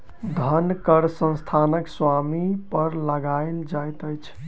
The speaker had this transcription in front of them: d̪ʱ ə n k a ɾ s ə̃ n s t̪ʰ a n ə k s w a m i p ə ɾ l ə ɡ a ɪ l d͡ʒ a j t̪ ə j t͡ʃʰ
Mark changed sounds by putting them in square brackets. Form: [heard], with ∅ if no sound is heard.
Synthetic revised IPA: d̪ʱ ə n k [ə] ɾ s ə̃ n s t̪ʰ a n ə k s w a m i p ə ɾ l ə ɡ a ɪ l d͡ʒ a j t̪ ə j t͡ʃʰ